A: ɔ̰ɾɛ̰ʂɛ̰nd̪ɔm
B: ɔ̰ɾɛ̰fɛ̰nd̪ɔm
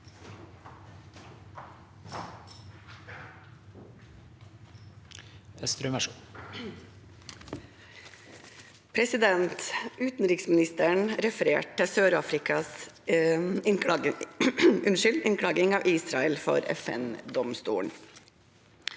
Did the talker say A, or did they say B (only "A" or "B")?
B